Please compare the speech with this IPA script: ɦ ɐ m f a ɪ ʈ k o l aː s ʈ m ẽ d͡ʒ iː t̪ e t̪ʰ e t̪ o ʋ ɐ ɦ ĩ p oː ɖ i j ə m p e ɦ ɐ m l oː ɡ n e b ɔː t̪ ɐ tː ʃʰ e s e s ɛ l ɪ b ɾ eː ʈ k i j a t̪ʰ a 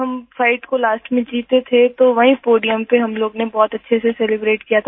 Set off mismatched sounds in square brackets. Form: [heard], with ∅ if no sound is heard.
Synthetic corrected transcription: ɦ ɐ m f a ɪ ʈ k o l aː s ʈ m ẽ d͡ʒ iː t̪ e t̪ʰ e t̪ o ʋ ɐ ɦ ĩ p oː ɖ i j ə m p e ɦ ɐ m l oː ɡ n e b ɔː t̪ ɐ tː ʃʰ e s e s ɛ l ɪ b ɾ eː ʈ k i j a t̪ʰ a